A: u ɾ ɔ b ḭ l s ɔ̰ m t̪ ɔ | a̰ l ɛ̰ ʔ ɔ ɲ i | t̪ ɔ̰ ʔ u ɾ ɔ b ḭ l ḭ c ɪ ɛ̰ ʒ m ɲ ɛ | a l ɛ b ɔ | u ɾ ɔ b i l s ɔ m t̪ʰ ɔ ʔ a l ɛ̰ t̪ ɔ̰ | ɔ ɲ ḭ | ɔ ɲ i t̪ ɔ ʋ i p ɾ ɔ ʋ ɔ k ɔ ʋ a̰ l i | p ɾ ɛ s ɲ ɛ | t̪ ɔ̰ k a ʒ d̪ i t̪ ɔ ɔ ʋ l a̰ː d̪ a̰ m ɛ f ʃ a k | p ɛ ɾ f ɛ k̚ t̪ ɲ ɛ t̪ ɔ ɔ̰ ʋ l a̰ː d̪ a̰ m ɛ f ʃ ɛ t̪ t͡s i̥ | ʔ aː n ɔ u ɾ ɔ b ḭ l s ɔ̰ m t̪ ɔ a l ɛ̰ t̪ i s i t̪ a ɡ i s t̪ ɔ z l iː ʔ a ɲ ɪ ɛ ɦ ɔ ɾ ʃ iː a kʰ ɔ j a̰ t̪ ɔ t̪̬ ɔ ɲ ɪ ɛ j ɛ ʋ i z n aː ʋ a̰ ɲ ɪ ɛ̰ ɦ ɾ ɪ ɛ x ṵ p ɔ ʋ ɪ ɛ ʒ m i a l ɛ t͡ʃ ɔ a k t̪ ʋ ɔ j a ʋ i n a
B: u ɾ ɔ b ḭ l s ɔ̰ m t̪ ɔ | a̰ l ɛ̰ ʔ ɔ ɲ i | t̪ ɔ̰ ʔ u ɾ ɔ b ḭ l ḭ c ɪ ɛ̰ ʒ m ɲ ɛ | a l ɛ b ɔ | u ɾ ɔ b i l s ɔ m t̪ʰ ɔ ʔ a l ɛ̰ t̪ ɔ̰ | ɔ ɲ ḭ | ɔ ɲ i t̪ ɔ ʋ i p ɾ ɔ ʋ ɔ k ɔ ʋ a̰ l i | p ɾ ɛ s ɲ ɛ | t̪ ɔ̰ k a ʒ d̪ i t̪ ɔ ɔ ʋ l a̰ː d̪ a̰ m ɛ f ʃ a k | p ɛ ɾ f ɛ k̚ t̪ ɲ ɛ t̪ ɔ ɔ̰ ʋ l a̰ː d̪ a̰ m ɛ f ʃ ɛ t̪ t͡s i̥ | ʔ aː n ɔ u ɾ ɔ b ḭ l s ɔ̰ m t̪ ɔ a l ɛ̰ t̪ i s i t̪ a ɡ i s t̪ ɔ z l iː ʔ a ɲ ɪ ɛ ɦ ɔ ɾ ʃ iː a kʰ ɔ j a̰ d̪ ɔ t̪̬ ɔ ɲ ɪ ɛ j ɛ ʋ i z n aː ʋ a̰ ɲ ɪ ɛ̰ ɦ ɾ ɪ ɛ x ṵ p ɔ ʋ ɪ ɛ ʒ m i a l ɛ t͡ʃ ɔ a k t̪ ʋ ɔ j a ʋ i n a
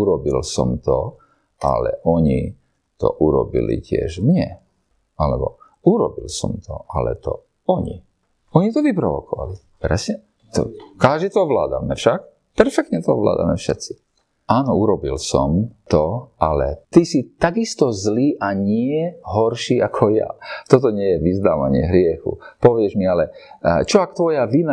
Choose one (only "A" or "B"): A